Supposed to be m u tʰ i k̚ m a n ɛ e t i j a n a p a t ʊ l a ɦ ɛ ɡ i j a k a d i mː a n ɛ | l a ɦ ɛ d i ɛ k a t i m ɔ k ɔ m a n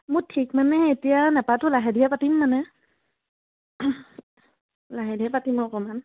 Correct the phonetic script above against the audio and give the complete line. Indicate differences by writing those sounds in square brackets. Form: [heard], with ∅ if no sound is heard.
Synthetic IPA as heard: m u tʰ i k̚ m a n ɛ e t i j a n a p a t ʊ l a ɦ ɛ [d] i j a [p] a [t] i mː a n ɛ | l a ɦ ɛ d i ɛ [p] a t i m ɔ k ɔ m a n